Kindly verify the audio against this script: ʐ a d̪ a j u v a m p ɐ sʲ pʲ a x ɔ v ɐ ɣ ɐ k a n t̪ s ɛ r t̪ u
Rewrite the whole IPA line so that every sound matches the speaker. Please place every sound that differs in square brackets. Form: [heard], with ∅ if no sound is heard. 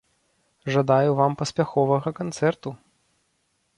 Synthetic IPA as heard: ʐ a d̪ a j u v a m p ɐ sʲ pʲ a x ɔ v ɐ ɣ ɐ k a n t̪ s ɛ r t̪ u